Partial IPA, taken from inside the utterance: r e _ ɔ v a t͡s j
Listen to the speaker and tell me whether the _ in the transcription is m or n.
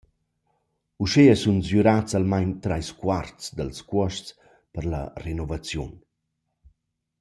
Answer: n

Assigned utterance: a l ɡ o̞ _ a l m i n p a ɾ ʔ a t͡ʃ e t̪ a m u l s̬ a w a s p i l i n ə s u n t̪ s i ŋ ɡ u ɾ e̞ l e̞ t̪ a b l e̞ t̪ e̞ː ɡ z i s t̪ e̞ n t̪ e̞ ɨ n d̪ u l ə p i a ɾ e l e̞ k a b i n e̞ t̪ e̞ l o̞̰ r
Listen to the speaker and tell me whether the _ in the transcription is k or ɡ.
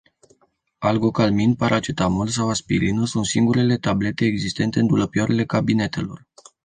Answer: k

